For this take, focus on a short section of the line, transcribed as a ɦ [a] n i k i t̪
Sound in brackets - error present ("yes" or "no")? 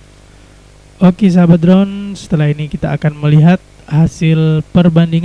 yes